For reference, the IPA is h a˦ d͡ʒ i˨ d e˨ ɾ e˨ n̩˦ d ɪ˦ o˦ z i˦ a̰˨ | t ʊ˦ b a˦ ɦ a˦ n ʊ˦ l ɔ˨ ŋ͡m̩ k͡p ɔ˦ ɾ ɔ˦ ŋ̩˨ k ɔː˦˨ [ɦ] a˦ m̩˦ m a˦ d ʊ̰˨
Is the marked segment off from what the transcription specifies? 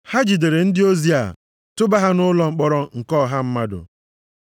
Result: no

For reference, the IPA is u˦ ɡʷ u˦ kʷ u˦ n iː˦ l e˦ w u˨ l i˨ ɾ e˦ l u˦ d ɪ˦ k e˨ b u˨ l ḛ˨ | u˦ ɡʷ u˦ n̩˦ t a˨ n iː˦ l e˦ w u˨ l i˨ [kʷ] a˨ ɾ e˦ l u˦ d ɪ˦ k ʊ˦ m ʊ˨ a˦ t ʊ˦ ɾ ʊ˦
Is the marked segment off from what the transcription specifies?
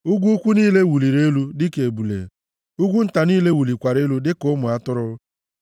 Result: no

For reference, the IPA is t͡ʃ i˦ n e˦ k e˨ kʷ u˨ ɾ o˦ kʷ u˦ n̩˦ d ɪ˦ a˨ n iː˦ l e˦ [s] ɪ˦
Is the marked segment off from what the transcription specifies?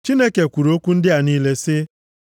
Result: no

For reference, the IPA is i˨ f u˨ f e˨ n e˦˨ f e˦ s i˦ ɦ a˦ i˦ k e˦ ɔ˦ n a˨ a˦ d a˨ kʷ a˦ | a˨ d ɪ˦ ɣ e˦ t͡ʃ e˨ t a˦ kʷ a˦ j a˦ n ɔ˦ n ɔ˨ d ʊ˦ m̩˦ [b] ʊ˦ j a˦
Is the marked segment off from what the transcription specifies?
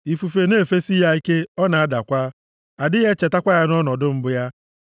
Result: no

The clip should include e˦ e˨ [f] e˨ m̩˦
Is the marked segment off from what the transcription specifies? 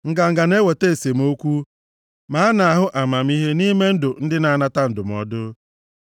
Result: yes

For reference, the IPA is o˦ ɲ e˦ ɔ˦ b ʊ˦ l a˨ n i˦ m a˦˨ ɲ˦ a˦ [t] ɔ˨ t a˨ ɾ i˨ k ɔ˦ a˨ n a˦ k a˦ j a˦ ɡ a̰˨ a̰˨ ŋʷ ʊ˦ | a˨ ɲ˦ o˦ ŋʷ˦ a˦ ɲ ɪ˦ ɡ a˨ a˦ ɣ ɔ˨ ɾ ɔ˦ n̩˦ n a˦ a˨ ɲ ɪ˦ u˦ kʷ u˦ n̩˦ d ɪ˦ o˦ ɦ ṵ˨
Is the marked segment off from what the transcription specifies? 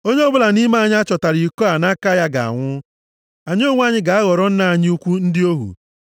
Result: yes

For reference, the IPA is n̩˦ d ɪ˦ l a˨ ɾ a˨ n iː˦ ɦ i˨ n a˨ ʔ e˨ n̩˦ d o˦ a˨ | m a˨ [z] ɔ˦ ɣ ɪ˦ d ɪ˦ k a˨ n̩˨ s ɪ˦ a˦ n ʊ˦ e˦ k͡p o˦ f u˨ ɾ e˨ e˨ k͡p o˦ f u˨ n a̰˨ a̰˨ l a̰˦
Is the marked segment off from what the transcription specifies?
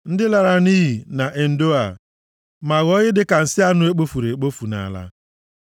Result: yes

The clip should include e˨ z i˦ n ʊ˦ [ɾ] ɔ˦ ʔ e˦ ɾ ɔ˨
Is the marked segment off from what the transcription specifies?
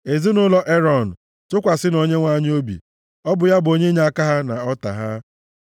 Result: yes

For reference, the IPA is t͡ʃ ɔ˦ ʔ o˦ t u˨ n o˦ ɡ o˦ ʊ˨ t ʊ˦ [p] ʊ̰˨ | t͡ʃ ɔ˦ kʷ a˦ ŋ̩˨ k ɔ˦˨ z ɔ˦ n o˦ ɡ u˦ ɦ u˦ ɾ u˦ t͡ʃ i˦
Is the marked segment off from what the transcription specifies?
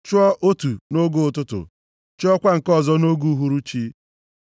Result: yes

